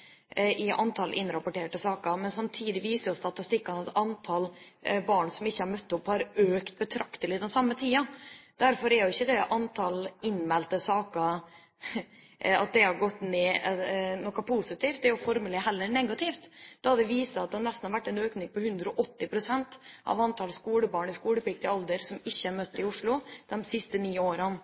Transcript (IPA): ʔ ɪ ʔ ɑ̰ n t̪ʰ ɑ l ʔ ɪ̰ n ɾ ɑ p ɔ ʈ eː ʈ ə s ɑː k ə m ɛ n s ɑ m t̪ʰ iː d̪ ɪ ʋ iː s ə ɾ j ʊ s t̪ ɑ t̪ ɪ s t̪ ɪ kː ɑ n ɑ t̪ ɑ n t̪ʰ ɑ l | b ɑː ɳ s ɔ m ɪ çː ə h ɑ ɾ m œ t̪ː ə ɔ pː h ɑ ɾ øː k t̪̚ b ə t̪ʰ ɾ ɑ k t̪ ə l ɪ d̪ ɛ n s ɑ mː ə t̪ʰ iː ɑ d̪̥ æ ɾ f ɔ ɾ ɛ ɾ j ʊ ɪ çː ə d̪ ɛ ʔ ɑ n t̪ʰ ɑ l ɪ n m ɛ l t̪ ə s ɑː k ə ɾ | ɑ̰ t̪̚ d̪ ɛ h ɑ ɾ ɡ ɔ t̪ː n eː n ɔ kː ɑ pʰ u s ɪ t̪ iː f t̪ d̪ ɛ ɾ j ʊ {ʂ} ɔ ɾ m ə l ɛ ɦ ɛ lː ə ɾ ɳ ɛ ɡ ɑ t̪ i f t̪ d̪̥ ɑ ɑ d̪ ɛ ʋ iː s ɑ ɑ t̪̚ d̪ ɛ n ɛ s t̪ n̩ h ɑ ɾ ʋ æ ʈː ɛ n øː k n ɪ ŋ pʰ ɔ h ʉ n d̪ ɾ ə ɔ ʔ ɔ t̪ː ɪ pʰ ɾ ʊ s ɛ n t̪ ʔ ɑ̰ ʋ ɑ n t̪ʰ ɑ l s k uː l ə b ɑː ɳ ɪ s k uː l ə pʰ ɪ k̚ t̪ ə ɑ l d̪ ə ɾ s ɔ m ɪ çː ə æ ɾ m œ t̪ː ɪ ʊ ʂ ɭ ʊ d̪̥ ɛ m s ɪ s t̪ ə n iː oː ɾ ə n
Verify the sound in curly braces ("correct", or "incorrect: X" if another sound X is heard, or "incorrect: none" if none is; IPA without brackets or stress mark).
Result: incorrect: f